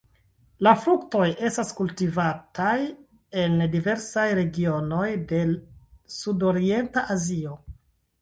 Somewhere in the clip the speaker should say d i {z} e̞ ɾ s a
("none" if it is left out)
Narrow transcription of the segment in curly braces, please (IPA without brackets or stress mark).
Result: v